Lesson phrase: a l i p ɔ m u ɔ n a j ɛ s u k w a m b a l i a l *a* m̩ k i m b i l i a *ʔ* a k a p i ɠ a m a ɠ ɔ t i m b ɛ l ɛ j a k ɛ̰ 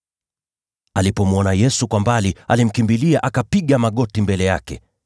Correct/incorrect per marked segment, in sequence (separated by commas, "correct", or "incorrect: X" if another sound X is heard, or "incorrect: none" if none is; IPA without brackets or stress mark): incorrect: i, correct